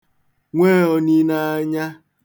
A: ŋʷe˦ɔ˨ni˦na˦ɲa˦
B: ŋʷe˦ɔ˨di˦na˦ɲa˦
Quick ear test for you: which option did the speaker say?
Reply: A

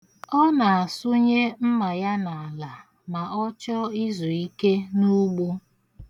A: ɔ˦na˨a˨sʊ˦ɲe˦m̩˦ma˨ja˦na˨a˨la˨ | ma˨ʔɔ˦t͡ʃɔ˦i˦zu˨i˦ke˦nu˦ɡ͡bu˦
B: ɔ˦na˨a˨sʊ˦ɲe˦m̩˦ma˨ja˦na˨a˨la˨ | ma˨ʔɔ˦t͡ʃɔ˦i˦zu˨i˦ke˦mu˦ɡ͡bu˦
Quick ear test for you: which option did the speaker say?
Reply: A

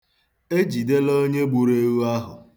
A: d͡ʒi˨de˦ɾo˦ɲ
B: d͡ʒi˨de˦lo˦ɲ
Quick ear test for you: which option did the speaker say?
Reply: B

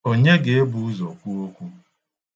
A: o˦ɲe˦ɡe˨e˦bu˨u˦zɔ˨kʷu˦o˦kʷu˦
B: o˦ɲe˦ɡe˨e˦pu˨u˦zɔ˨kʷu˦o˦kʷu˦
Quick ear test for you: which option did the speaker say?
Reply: A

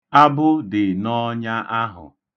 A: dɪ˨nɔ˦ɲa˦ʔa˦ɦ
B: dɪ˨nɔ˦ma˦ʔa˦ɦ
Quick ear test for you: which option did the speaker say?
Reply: A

